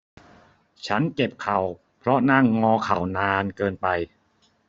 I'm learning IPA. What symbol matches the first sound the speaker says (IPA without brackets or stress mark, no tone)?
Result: t͡ɕʰ